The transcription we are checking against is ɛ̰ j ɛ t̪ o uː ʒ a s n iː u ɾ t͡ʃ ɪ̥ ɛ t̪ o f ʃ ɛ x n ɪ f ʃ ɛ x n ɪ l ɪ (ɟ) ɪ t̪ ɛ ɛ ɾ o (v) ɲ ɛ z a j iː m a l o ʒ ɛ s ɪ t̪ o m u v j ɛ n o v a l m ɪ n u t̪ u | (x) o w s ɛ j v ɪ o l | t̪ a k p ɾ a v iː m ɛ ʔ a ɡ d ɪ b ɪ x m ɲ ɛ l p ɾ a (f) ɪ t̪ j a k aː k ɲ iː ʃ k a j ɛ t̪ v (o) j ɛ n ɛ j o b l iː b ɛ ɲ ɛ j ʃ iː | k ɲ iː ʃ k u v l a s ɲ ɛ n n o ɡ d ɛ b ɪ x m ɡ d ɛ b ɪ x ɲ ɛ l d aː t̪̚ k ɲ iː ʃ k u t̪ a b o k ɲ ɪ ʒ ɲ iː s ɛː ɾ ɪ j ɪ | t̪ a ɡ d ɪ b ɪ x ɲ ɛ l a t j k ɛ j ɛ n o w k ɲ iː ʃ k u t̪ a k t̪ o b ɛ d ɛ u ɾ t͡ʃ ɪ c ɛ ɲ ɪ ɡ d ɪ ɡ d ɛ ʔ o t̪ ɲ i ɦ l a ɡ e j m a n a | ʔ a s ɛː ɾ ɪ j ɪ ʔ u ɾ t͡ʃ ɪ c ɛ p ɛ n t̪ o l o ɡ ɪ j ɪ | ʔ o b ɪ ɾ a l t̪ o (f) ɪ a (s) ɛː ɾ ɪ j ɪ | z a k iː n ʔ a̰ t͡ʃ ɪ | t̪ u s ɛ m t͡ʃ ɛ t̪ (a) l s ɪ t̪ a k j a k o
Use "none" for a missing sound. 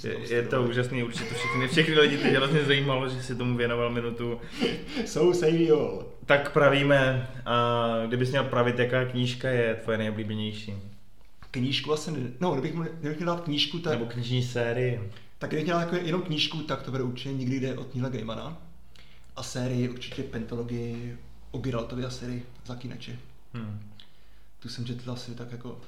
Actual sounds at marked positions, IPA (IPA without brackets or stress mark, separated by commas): ɟ, z, s, v, o, v, s, a